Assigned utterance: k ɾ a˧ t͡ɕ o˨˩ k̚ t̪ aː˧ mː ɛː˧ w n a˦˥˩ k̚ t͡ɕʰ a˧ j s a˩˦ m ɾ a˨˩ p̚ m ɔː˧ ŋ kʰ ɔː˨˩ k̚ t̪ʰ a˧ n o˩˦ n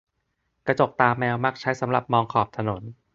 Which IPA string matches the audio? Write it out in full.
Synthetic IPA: k ɾ a˧ t͡ɕ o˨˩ k̚ t̪ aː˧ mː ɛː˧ w m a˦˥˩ k̚ t͡ɕʰ a˦˥ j s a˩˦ m ɾ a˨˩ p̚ m ɔː˧ ŋ kʰ ɔː˨˩ p̚ t̪ʰ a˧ n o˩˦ n